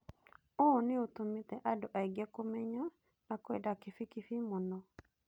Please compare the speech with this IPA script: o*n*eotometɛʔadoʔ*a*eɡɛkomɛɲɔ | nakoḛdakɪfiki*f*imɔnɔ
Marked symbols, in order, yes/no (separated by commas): yes, yes, yes